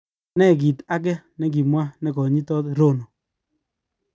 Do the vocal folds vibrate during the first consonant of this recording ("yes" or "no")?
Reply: yes